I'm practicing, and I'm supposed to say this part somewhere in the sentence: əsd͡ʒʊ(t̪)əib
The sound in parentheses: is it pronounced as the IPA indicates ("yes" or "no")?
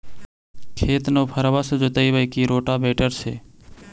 yes